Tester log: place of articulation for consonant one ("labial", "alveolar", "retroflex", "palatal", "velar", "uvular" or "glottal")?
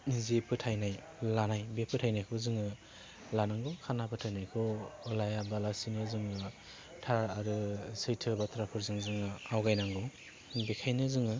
alveolar